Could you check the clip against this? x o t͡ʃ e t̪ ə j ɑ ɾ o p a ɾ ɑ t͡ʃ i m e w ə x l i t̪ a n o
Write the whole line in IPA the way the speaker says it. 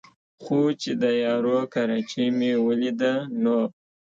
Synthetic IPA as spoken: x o t͡ʃ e d̪ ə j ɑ ɾ o k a ɾ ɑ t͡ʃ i m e w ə l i d̪ a n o